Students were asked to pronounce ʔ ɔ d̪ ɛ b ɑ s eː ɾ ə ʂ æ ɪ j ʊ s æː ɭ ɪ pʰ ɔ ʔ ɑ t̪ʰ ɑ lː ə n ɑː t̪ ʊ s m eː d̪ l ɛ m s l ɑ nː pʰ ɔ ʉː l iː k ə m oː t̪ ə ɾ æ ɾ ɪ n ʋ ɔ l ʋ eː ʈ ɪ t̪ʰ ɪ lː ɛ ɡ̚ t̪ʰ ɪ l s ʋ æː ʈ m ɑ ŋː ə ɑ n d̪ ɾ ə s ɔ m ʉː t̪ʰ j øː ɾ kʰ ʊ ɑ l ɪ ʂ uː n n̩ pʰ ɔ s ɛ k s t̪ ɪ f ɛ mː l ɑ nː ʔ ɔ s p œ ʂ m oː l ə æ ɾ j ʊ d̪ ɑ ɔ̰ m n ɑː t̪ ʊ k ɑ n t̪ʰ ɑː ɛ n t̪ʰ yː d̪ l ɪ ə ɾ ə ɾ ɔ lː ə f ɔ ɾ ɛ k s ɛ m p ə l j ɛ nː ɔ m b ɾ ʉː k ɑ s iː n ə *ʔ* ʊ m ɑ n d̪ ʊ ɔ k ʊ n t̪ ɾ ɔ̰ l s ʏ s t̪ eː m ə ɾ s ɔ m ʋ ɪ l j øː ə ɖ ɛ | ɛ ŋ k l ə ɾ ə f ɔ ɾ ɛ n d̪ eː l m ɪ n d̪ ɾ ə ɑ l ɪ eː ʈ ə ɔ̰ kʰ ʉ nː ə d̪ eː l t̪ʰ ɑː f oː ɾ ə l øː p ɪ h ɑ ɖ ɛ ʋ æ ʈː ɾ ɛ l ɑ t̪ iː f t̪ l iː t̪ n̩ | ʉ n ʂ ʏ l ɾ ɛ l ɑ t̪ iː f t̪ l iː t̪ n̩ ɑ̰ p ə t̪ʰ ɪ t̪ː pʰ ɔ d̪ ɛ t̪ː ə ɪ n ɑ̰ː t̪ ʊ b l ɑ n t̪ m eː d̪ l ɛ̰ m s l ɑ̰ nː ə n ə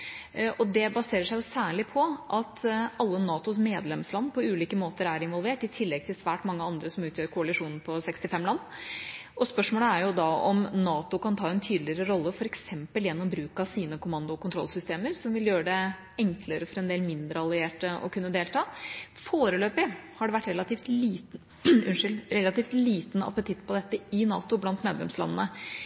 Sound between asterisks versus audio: incorrect: k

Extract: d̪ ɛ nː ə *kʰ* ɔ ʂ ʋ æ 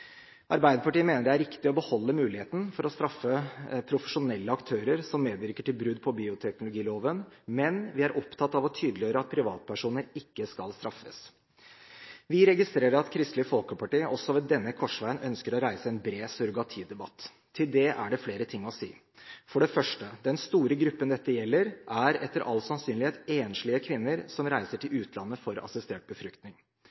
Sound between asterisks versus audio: correct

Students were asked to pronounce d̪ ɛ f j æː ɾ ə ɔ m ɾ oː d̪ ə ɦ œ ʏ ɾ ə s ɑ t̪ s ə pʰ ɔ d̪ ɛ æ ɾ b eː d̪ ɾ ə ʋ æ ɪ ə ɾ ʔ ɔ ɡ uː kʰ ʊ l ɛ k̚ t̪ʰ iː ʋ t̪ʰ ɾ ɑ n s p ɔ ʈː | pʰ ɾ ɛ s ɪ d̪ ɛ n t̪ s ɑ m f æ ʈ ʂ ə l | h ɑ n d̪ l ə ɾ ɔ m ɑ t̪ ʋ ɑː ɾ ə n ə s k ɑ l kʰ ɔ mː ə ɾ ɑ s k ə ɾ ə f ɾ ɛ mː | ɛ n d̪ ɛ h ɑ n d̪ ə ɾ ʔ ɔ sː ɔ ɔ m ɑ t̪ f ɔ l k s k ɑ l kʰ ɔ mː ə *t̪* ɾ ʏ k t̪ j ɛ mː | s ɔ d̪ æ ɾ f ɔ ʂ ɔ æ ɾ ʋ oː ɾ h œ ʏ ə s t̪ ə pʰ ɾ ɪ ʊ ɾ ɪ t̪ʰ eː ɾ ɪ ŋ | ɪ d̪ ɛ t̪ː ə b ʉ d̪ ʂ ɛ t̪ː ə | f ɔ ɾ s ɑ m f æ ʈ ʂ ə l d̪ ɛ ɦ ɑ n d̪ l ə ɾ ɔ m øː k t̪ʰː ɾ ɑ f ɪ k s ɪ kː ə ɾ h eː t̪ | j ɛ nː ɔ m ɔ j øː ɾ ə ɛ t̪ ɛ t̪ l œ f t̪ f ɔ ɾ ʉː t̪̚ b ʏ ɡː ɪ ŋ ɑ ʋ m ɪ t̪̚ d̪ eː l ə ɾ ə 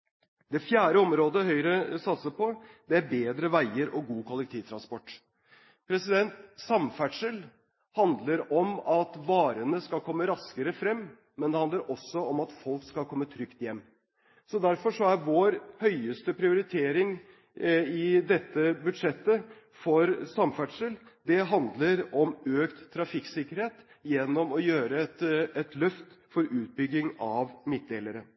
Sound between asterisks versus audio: incorrect: t̪ʰ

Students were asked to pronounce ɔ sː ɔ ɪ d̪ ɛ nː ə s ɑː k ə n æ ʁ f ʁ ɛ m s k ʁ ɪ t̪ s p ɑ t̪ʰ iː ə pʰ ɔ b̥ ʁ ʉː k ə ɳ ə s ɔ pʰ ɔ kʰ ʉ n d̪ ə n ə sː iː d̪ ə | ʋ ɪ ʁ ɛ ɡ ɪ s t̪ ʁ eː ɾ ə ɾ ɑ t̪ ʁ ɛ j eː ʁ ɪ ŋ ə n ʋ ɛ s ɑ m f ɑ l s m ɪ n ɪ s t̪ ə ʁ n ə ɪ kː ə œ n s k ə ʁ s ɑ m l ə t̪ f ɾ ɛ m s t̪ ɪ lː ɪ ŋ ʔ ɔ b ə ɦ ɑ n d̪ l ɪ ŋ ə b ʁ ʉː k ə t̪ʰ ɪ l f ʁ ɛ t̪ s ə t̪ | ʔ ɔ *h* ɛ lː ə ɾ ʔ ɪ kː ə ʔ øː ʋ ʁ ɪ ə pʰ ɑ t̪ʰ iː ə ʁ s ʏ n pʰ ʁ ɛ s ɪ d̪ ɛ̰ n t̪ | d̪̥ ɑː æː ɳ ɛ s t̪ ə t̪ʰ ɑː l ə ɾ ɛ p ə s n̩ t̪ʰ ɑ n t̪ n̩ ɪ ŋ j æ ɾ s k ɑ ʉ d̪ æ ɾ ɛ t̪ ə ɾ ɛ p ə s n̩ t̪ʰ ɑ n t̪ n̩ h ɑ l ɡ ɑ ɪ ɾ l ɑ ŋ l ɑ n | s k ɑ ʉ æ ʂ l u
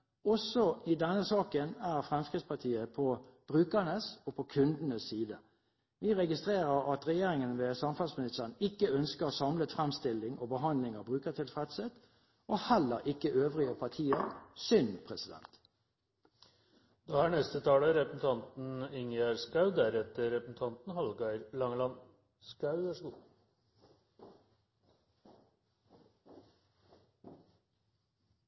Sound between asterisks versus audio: correct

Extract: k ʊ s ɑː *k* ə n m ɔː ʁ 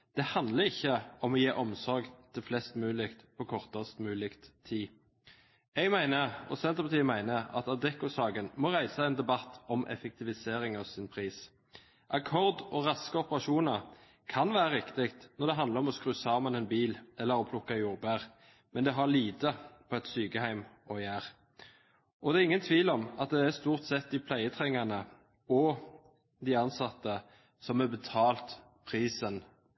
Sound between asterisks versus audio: incorrect: ɡ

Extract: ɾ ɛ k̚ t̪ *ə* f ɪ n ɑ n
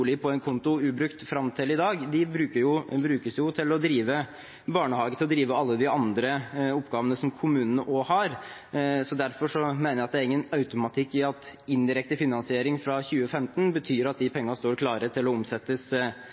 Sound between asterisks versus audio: correct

